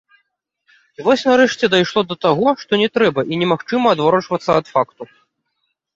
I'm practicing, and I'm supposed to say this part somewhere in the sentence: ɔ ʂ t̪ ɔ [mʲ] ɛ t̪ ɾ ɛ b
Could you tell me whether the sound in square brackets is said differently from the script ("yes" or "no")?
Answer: yes